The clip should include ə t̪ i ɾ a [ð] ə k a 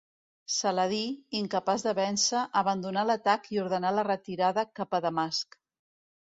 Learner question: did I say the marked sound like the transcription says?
yes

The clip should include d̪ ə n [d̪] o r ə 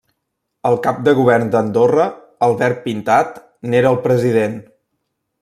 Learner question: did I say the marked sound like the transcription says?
yes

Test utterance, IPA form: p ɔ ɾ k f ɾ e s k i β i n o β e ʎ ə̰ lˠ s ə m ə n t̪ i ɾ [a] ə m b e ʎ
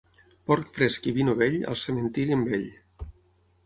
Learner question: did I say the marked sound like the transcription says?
no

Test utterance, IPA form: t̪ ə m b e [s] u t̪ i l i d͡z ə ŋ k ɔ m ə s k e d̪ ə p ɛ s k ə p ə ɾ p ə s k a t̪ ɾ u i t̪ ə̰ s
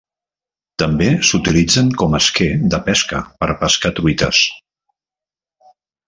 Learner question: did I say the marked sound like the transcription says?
yes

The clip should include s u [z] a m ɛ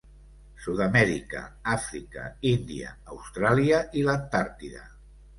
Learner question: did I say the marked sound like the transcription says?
no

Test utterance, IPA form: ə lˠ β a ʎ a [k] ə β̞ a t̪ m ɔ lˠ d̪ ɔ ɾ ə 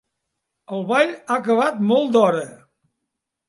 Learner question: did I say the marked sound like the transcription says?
yes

